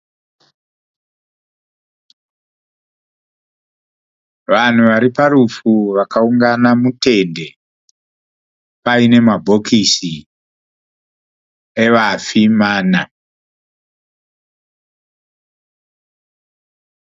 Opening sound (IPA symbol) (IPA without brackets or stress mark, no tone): ʋ